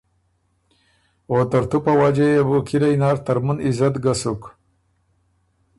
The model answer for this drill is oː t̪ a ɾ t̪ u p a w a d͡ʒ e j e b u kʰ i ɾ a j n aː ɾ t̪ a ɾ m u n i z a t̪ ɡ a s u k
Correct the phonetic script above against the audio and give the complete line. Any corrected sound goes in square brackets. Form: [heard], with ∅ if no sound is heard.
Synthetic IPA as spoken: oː t̪ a ɾ t̪ u p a w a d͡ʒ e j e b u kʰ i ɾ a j n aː ɾ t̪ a ɾ m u n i z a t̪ ɡ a s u k